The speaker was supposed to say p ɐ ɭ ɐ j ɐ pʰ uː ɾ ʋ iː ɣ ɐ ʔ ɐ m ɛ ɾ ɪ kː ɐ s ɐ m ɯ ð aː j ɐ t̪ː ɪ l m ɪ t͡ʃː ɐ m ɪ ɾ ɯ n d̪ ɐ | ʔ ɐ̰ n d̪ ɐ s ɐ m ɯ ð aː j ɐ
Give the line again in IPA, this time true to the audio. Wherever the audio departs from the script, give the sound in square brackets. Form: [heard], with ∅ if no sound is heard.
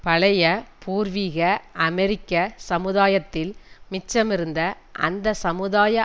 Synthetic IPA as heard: p ɐ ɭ ɐ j ɐ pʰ uː ɾ ʋ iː ɣ ɐ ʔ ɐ m ɛ ɾ ɪ kː ɐ s ɐ m ɯ ð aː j ɐ t̪ː ɪ l m ɪ t͡ʃː ɐ m ɪ ɾ ɯ n d̪ ɐ | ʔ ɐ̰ n d̪ ɐ s ɐ m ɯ ð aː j ɐ